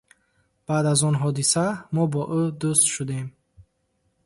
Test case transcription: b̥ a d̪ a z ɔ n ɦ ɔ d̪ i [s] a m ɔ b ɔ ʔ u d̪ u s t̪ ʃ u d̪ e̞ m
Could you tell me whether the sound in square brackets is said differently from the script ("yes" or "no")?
no